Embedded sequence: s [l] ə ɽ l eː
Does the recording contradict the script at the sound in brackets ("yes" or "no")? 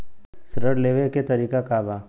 yes